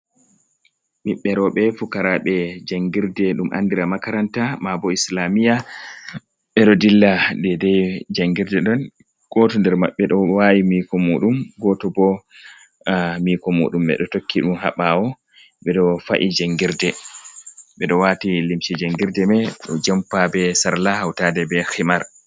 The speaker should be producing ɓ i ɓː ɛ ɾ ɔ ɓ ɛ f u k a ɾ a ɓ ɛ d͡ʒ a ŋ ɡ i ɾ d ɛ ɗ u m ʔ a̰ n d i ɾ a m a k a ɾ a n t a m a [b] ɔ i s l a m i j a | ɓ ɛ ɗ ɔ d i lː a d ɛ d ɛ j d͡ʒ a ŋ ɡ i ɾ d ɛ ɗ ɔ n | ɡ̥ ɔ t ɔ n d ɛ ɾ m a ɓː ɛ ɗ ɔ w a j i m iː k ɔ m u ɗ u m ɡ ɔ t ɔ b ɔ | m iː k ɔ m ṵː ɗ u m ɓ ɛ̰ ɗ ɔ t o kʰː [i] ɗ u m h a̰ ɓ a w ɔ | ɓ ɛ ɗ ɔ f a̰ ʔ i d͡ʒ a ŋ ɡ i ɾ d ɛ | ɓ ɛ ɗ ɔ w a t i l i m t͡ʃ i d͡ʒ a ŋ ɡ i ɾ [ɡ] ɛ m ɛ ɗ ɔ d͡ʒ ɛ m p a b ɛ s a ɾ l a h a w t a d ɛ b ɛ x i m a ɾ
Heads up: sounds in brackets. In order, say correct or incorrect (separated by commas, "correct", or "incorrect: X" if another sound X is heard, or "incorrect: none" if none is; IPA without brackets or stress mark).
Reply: correct, correct, incorrect: d